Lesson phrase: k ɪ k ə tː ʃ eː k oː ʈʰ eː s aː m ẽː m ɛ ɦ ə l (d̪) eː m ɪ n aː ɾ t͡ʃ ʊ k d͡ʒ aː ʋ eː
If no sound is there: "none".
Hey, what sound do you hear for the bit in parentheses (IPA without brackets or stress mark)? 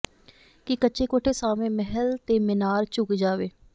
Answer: t̪